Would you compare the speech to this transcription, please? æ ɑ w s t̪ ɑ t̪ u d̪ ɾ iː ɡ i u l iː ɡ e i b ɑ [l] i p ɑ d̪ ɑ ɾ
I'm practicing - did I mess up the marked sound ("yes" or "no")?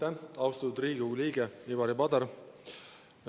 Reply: yes